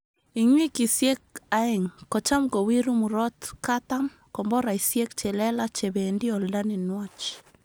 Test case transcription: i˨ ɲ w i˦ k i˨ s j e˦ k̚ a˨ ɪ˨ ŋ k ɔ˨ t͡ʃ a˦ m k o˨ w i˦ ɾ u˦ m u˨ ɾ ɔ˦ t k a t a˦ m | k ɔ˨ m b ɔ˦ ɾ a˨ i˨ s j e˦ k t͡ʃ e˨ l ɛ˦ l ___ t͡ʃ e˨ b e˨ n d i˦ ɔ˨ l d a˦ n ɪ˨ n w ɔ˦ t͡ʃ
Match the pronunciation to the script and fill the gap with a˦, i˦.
a˦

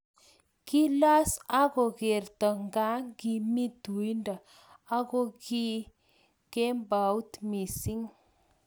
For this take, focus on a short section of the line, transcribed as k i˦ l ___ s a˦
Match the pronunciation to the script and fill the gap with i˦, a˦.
a˦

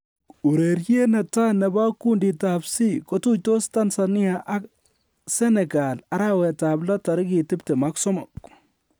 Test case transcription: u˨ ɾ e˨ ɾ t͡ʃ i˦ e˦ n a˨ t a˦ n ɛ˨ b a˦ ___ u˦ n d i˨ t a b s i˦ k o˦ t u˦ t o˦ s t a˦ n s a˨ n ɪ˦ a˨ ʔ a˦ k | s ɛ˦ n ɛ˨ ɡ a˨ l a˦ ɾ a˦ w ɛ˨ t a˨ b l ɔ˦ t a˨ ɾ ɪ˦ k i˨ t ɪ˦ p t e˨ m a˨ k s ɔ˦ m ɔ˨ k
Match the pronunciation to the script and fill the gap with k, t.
k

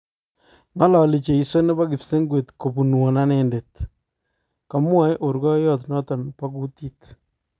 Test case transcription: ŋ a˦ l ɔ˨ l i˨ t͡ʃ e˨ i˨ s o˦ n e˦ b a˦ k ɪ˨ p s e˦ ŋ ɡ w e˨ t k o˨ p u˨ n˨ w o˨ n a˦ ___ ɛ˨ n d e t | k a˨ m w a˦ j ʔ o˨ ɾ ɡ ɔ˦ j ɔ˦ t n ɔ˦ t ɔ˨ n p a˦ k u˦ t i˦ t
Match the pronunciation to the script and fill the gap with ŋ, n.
n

